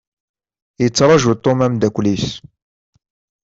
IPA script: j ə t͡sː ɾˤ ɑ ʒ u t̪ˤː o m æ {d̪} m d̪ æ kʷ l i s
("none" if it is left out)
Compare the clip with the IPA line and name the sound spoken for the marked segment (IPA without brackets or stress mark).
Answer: none